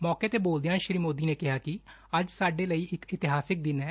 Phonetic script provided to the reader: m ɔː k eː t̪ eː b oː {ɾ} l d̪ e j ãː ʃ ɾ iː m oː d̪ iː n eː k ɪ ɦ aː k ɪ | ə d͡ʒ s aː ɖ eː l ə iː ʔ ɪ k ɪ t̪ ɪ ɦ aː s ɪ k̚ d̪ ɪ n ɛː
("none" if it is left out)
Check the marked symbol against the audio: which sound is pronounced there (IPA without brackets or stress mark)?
none